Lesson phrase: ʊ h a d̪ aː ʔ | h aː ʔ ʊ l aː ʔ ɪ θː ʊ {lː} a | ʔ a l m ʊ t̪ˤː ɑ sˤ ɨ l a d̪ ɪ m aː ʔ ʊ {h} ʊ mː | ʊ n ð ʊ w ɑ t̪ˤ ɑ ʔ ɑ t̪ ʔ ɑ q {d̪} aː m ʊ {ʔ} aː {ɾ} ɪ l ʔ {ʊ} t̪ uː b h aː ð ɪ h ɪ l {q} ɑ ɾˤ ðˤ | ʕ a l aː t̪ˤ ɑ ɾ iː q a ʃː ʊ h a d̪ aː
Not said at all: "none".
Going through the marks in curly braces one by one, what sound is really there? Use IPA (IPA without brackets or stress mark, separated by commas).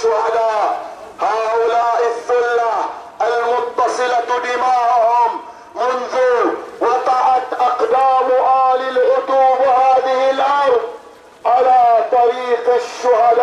lː, h, d̪, ʔ, l, ʊ, ʔ